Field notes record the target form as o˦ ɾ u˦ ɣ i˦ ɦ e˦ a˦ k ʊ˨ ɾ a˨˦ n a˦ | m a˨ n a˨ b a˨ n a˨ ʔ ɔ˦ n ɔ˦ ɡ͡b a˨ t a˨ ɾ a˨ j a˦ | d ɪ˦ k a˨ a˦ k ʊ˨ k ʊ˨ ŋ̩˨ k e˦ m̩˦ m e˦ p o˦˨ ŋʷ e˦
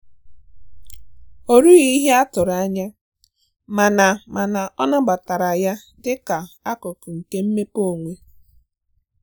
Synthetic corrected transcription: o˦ ɾ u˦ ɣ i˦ ɦ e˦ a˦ t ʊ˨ ɾ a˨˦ ɲ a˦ | m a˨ n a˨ m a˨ n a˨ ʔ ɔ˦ n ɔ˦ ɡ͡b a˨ t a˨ ɾ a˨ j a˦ | d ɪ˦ k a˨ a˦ k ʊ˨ k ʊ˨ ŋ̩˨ k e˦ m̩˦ m e˦ p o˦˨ ŋʷ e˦